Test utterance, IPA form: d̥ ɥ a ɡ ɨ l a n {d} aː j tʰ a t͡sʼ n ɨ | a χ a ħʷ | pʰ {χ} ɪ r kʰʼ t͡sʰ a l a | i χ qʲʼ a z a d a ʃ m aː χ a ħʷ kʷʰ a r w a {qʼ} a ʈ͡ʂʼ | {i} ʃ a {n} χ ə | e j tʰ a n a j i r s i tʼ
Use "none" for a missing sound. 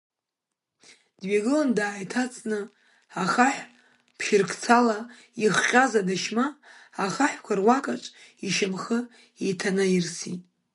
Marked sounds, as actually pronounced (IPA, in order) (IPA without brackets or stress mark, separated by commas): d, ʃ, kʼ, i, m